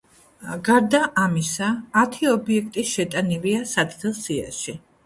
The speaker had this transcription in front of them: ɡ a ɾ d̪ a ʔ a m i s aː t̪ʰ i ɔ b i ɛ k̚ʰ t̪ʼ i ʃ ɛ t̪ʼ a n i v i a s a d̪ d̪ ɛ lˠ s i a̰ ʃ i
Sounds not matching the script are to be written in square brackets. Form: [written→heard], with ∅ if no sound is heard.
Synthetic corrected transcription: ɡ a ɾ d̪ a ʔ a m i s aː t̪ʰ i ɔ b i ɛ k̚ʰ t̪ʼ i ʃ ɛ t̪ʼ a n i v i a s a d̪ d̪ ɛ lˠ s i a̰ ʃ i